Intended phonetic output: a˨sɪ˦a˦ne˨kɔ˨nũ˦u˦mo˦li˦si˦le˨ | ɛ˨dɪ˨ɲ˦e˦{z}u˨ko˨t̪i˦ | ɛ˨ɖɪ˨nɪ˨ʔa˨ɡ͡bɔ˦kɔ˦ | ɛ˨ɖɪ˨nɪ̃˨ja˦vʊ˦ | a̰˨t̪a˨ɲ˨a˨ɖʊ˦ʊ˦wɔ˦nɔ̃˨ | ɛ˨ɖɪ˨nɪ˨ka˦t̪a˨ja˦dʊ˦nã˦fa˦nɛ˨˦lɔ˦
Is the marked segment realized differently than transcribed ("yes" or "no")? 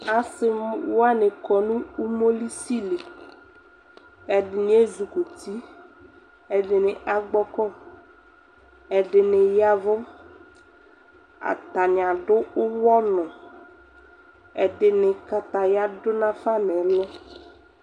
no